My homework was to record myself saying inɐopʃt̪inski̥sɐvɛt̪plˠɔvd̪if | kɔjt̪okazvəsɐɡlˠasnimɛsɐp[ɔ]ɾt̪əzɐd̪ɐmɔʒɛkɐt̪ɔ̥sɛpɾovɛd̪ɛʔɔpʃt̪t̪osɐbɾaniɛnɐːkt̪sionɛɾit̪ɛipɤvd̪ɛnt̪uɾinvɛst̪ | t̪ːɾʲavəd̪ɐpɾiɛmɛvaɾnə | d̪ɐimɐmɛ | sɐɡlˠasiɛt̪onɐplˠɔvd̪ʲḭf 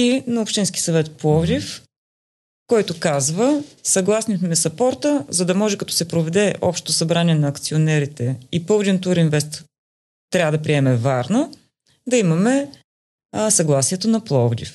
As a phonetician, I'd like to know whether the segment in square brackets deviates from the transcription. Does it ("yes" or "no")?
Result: no